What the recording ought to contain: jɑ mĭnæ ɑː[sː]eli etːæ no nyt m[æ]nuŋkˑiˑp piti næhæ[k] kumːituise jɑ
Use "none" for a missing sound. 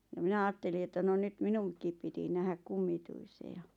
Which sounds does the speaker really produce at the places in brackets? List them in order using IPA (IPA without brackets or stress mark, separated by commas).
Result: tː, i, k